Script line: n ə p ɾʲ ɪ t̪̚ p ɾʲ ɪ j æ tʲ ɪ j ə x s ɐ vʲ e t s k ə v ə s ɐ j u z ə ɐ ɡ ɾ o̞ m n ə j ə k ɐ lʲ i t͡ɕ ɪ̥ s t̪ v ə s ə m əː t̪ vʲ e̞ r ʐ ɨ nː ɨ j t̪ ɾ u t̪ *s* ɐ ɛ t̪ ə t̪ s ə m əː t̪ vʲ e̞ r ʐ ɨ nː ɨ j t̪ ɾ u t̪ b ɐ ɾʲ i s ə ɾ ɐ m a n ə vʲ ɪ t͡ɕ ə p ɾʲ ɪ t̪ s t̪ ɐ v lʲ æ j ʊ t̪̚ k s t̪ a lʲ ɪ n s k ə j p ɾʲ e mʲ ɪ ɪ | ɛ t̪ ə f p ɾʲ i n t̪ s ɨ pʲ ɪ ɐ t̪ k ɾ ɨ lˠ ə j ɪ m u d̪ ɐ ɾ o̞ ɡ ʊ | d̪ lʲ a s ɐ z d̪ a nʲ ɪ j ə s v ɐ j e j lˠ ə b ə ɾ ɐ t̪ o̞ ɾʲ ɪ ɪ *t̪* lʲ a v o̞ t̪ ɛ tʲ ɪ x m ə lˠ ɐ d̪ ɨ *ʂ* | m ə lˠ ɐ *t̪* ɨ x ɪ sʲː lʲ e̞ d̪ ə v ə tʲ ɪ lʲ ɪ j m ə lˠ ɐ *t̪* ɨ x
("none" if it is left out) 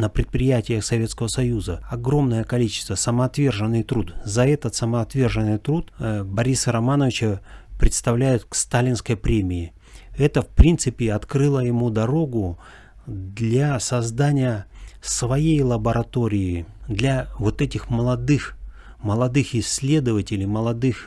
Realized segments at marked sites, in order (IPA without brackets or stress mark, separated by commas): z, d̪, x, d̪, d̪